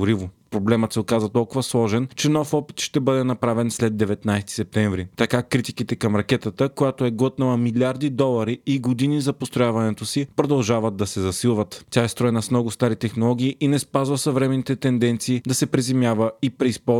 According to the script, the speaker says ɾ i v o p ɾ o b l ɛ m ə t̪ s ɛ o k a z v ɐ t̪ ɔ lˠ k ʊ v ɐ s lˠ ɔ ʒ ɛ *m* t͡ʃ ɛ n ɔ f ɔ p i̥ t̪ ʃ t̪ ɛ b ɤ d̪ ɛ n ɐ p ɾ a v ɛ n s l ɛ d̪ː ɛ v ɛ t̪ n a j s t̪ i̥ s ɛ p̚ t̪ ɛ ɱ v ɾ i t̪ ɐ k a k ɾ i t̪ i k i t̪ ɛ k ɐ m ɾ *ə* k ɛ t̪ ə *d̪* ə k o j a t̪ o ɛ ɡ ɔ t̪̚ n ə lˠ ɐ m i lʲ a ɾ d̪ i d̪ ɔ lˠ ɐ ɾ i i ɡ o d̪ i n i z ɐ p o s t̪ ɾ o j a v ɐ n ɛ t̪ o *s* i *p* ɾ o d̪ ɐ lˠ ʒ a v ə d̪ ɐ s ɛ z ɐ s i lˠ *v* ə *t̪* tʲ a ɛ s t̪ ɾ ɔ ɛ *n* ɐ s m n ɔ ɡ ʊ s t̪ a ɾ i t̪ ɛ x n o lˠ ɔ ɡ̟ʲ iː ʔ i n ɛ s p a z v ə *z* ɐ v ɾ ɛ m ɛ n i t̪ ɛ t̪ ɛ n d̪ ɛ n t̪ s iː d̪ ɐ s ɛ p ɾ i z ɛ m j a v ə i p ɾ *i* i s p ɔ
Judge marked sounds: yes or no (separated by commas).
no, no, no, yes, yes, yes, yes, yes, no, no